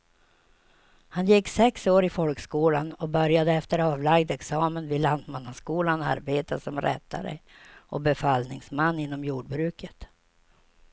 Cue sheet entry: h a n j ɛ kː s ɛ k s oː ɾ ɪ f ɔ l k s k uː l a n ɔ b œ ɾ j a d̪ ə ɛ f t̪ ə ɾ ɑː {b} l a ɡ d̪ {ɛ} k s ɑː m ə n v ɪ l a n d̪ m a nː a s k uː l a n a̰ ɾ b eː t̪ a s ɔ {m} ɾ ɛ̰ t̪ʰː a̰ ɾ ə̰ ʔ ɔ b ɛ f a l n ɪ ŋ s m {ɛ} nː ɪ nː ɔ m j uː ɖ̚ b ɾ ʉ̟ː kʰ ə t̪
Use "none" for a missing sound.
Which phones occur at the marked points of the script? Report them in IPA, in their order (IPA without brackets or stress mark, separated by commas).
v, ɛ, m, a